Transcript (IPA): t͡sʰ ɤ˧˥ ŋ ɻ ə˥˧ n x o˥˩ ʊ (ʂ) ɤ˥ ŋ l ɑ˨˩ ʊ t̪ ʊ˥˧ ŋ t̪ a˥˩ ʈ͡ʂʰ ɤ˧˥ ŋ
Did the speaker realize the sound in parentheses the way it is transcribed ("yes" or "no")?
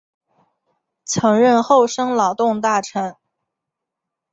yes